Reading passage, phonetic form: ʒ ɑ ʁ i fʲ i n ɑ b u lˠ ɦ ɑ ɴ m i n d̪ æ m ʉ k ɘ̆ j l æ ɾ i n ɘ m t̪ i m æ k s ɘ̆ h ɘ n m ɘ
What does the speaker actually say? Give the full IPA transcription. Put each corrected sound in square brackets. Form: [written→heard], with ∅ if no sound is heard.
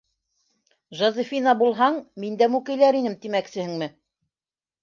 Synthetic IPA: ʒ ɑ [ʁ→z] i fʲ i n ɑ b u lˠ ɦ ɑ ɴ m i n d̪ æ m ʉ k ɘ̆ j l æ ɾ i n ɘ m t̪ i m æ k s ɘ̆ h ɘ [n→ŋ] m ɘ